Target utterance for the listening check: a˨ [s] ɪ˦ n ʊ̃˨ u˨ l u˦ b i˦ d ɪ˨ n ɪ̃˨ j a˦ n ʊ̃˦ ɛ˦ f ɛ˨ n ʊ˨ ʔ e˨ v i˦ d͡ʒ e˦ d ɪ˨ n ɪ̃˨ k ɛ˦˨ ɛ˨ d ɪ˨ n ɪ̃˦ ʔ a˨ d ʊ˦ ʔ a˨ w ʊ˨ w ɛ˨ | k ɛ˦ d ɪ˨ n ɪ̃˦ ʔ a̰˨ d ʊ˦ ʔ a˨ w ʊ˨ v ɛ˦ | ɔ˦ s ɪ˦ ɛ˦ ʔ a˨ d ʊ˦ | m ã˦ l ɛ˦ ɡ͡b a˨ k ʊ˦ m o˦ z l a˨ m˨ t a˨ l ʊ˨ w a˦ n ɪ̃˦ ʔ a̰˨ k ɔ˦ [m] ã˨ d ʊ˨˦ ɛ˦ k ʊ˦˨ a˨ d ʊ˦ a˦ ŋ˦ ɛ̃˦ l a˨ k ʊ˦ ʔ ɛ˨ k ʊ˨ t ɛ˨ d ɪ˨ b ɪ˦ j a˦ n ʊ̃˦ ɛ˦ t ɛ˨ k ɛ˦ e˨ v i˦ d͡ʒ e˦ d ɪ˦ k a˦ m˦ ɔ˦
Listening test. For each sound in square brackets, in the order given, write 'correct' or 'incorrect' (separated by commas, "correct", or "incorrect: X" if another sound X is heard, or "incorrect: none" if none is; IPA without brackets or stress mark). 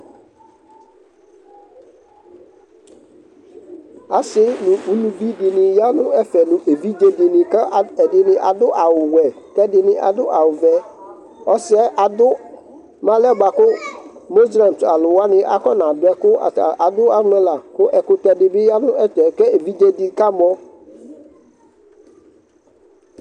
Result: correct, incorrect: n